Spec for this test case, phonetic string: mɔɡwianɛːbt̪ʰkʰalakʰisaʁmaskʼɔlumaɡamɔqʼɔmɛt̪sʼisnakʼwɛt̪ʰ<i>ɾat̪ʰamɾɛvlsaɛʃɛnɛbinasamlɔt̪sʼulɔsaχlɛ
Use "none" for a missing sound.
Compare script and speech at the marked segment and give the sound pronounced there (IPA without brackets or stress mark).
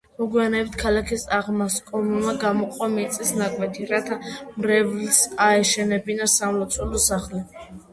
i